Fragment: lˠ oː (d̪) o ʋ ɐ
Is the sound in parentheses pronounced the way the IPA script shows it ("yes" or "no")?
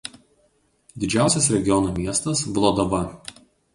yes